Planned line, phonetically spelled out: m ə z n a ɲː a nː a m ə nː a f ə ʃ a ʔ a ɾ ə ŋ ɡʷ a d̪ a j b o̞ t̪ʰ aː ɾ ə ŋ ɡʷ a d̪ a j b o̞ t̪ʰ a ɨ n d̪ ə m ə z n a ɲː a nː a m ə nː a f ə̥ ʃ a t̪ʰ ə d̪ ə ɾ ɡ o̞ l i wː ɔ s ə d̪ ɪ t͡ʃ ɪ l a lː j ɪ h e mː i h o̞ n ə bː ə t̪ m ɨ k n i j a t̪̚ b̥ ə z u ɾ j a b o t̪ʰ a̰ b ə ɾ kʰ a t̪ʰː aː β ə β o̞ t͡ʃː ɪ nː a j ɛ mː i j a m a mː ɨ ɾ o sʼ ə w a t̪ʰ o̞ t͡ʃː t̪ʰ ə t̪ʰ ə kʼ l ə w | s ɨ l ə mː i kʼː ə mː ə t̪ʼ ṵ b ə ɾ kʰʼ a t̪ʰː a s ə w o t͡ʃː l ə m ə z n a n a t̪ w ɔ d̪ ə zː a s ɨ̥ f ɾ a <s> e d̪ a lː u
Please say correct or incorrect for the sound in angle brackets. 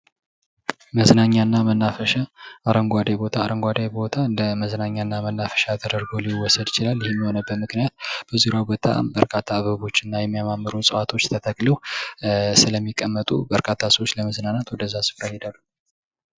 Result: incorrect